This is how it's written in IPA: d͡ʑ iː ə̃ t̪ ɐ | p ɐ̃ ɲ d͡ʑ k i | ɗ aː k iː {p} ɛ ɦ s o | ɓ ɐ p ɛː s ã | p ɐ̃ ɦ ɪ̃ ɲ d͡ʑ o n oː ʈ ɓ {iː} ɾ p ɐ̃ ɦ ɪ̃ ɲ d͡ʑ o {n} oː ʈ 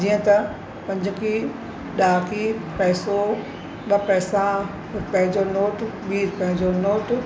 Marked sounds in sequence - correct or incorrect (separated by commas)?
correct, correct, correct